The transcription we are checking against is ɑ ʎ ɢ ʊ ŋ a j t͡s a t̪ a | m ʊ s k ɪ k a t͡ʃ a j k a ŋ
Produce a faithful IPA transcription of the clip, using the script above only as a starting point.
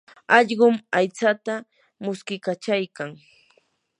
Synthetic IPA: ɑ ʎ ɢ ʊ m a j t͡s a t̪ a | m ʊ s k ɪ k a t͡ʃ a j k a ŋ